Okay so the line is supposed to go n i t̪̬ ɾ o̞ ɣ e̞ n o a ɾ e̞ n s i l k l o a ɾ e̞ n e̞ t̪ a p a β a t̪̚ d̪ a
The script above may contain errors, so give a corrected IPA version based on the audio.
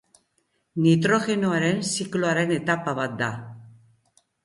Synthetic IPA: n i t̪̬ ɾ o̞ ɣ e̞ n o a ɾ e̞ n s i k l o a ɾ e̞ n e̞ t̪ a p a β a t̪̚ d̪ a